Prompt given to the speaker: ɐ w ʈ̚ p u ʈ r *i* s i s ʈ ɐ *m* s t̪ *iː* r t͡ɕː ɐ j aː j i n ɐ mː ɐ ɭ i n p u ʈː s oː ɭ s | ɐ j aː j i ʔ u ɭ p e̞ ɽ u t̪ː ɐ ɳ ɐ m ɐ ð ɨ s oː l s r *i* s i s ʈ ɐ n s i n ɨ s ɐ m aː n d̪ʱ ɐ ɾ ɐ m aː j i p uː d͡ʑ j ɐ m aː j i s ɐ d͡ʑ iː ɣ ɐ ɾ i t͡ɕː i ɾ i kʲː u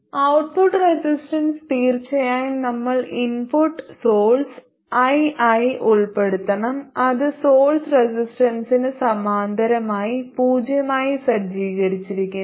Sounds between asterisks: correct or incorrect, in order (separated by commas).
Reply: incorrect, incorrect, correct, incorrect